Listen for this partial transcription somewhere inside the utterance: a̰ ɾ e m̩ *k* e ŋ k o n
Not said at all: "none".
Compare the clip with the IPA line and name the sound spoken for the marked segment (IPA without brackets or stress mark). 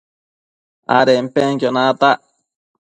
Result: p